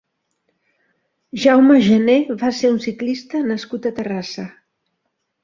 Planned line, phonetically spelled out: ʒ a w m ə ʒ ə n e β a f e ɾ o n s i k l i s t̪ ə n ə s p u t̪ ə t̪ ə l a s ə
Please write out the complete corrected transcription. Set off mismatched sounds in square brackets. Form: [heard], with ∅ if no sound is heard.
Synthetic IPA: ʒ a w m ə ʒ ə n e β a [s] e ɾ [u] n s i k l i s t̪ ə n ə s [k] u t̪ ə t̪ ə [r] a s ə